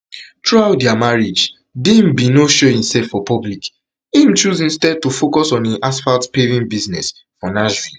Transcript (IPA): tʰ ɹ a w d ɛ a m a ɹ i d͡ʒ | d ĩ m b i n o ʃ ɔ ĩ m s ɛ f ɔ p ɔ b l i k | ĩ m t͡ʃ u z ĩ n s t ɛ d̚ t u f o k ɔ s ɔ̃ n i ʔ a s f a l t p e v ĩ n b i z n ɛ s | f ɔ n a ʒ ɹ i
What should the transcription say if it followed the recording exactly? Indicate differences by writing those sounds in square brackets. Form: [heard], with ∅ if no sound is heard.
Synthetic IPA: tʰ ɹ a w d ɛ a m a ɹ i d͡ʒ | d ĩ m b i n o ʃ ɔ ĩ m s ɛ f ɔ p ɔ b l i k | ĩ m t͡ʃ u z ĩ n s t ɛ d̚ t u f o k ɔ s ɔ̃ n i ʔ a s f a l t p e v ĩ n b i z n ɛ s | f ɔ n a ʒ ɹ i